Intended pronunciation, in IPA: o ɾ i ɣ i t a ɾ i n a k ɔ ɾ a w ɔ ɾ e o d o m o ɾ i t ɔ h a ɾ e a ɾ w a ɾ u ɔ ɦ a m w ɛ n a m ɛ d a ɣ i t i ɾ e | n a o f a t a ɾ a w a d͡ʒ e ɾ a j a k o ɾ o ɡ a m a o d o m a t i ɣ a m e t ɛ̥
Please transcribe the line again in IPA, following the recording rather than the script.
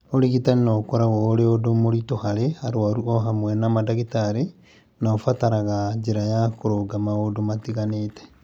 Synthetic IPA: o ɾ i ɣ i t a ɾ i n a k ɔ ɾ a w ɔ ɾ e o d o m o ɾ i t o h a ɾ e a ɾ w a ɾ u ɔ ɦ a m w ɛ n a m a d a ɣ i t a ɾ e | n a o f a t a ɾ a ɣ a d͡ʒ e ɾ a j a k o ɾ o ɡ a m a o d o m a t i ɣ a n e t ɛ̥